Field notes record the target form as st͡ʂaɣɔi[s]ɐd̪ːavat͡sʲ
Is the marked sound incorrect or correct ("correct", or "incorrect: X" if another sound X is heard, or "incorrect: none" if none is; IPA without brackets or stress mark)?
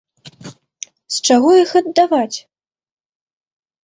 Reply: incorrect: x